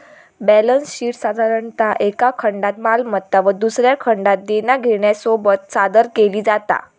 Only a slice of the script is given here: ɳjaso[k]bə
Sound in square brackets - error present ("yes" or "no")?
yes